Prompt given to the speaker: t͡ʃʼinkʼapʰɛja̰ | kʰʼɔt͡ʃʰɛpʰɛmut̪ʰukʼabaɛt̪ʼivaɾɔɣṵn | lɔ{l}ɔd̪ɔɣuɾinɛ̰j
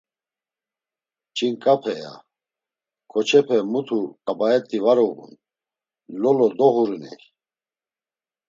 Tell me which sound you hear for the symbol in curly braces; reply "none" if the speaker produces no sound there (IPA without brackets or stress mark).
l